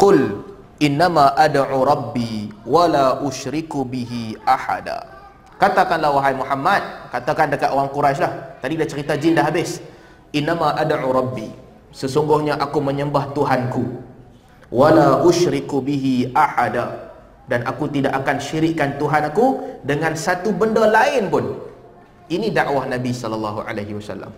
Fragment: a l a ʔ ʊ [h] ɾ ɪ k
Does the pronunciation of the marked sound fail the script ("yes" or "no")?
yes